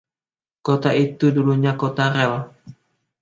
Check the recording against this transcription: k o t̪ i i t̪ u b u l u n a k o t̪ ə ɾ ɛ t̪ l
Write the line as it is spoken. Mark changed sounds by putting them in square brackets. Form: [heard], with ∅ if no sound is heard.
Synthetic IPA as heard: k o t̪ [a] i t̪ u [d] u l u [ɲ] a k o t̪ [a] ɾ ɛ [∅] l